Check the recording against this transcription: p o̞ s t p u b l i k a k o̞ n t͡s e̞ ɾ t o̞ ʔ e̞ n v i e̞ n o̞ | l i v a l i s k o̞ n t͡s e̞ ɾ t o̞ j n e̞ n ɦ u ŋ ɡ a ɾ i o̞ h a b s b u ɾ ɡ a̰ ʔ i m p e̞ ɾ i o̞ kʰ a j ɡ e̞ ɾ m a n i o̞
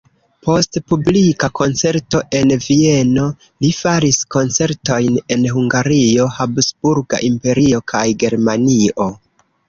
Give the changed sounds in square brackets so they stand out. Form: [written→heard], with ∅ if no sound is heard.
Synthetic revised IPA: p o̞ s t p u b l i k a k o̞ n t͡s e̞ ɾ t o̞ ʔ e̞ n v i e̞ n o̞ | l i [v→f] a [l→ɾ] i s k o̞ n t͡s e̞ ɾ t o̞ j n e̞ n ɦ u ŋ ɡ a ɾ i o̞ h a b s b u ɾ ɡ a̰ ʔ i m p e̞ ɾ i o̞ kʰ a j ɡ e̞ ɾ m a n i o̞